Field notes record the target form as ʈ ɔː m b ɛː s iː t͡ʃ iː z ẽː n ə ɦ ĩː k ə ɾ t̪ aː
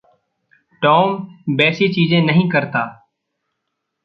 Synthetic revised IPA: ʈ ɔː m b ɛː s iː t͡ʃ iː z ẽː n ə ɦ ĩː k ə ɾ t̪ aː